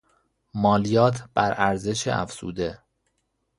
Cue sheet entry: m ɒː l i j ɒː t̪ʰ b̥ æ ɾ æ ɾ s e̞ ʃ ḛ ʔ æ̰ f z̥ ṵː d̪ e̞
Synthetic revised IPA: m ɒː l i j ɒː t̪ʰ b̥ æ ɾ æ ɾ z e̞ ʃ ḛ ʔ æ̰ f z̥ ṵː d̪ e̞